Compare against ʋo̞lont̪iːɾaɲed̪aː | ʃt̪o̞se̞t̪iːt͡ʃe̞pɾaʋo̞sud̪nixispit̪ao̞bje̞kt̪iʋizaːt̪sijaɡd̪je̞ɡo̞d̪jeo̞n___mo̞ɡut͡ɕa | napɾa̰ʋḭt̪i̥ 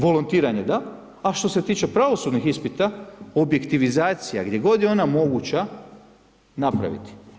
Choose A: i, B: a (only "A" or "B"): B